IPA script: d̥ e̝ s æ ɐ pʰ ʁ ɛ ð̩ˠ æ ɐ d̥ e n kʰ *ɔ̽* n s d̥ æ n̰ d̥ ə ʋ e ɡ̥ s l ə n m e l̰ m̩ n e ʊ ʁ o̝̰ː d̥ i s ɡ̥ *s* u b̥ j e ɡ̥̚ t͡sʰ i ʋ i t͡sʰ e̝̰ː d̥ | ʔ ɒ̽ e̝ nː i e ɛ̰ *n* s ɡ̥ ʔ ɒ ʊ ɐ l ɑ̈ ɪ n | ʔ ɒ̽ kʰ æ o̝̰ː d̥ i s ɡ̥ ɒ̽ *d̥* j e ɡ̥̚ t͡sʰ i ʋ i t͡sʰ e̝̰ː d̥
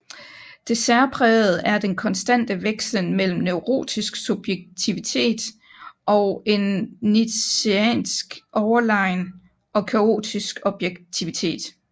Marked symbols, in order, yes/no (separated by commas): no, yes, yes, no